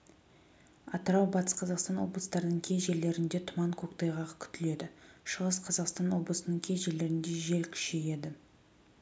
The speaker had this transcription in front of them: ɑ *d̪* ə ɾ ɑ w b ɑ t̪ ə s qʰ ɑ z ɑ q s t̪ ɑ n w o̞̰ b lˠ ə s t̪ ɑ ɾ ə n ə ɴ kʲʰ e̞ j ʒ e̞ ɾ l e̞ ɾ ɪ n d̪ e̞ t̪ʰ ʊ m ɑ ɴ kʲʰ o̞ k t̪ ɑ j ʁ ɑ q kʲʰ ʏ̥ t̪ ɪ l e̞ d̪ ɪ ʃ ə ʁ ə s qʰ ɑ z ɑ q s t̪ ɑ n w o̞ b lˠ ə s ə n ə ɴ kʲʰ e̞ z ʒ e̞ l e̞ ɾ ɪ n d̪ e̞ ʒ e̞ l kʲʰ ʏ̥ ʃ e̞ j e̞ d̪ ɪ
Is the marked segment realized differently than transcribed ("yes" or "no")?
yes